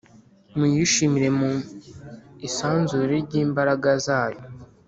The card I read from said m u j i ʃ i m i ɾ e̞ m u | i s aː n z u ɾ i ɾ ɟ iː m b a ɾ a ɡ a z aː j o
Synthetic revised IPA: m u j i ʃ i m i ɾ e̞ m u | i s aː n z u ɾ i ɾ ɟ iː m b a ɾ a ɡ a z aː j o